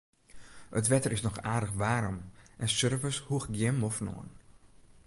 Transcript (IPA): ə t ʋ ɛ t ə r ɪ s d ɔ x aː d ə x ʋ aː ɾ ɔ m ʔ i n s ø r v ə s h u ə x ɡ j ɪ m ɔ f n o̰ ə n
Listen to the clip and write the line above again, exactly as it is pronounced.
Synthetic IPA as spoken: ə t ʋ ɛ t ə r ɪ s n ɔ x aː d ə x ʋ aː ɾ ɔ m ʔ ɛ n s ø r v ə s h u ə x ɡ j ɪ m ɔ f n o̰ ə n